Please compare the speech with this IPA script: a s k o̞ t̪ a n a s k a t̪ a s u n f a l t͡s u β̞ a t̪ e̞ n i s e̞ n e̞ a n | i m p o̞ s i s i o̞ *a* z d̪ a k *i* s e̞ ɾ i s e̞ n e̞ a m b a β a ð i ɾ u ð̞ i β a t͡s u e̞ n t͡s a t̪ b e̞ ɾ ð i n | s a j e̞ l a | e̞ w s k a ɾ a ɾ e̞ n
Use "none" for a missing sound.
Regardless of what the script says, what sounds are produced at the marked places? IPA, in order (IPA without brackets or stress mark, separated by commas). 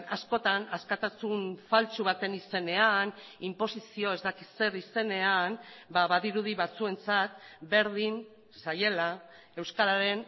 e, i